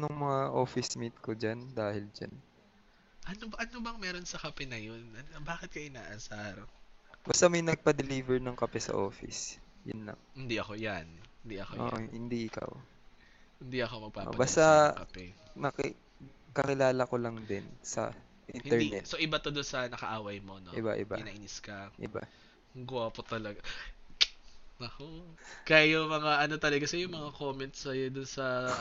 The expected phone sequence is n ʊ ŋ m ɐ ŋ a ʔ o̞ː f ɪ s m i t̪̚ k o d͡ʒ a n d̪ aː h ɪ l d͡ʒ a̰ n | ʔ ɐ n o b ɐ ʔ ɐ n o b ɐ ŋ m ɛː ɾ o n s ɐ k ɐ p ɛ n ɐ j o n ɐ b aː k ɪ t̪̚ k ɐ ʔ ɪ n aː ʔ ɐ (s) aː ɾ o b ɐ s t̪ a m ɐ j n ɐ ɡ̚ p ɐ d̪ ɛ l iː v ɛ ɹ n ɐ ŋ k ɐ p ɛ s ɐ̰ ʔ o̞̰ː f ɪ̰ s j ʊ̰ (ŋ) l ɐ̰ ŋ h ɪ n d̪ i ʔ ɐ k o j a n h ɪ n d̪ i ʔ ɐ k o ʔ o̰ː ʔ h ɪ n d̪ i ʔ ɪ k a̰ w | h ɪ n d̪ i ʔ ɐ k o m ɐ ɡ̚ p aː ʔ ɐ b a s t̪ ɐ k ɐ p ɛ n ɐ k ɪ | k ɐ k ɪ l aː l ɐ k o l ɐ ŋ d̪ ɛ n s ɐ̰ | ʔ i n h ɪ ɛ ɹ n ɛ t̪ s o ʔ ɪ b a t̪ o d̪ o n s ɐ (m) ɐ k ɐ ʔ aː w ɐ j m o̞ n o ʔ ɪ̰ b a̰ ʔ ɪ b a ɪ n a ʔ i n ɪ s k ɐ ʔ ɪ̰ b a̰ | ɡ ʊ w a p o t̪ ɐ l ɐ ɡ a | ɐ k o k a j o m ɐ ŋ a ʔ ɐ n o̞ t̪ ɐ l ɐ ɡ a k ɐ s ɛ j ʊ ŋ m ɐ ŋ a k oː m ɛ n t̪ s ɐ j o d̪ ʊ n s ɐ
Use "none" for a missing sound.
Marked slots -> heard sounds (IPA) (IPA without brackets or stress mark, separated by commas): s, n, n